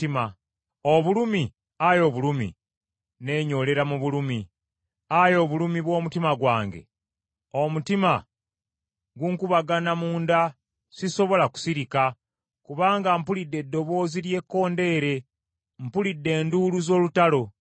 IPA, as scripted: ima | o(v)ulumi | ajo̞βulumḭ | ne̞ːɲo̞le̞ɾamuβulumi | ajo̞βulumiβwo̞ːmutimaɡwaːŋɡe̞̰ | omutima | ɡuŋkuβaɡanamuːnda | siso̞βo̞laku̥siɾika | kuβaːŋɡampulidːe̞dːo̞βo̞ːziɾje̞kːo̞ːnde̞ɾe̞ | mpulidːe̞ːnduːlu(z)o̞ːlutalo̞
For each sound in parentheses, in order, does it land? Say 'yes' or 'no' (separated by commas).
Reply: no, yes